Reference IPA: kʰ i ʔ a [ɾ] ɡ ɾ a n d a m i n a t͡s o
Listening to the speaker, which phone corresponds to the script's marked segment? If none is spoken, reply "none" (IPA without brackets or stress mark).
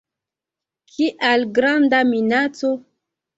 l